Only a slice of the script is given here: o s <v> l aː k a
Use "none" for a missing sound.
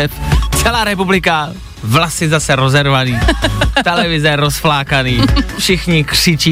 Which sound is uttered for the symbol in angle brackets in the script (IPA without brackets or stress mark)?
f